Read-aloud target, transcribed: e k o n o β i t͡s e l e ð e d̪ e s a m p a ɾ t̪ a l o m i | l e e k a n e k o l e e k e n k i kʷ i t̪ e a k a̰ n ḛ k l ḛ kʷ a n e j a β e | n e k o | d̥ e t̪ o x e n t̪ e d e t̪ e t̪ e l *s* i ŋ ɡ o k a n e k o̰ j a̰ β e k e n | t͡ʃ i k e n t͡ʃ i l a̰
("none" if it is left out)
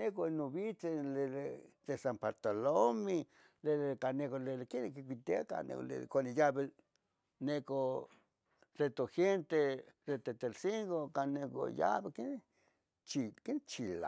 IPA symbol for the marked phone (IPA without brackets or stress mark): s